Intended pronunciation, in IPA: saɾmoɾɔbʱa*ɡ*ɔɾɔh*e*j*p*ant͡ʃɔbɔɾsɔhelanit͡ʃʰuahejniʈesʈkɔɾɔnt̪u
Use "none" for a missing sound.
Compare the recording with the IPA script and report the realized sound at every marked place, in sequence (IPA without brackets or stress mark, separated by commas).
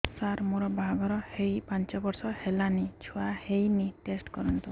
ɡ, e, p